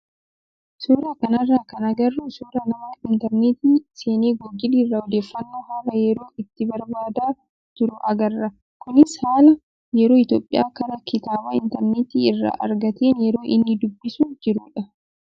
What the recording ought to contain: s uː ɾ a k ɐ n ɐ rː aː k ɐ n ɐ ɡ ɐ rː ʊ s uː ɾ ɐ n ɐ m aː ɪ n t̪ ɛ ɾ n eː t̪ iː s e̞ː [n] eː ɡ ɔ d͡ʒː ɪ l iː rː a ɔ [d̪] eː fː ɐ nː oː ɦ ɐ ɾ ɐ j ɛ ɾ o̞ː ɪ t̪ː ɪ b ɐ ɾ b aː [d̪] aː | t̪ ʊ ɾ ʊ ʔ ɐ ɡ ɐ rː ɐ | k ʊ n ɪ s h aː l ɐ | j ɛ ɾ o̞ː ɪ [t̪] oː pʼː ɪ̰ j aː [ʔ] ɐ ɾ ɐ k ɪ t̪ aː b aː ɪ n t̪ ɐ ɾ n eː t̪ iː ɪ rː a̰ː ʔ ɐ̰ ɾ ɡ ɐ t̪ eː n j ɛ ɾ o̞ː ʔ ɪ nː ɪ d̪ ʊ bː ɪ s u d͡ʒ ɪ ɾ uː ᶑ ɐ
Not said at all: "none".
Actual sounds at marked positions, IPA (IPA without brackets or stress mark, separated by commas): n, d̪, d̪, t̪, k